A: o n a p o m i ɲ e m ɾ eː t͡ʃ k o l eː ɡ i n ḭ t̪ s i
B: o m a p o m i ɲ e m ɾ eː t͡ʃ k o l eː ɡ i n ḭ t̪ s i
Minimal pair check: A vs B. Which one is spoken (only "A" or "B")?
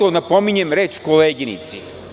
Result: A